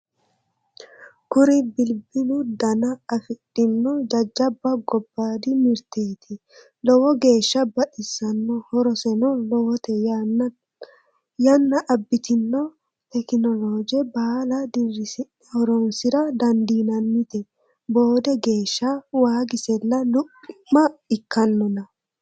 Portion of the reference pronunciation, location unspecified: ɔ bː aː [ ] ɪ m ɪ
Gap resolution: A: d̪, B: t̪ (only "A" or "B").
A